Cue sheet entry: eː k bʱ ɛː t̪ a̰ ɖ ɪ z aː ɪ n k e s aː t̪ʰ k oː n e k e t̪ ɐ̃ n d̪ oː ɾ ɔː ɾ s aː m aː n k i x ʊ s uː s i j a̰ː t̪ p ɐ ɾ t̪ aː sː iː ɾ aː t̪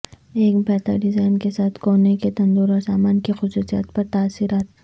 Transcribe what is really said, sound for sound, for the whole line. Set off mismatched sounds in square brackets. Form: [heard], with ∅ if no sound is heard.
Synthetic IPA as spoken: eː k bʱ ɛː t̪ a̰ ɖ ɪ z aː ɪ n k e s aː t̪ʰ k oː n e k e t̪ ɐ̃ n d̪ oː ɾ ɔː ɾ s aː m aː n k i x ʊ s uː s i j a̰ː t̪ p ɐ ɾ t̪ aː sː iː ɾ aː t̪